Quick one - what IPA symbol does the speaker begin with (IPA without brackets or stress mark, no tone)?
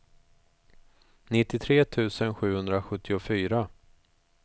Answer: n